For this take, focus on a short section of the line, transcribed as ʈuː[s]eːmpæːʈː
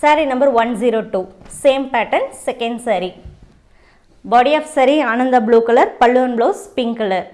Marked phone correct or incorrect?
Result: correct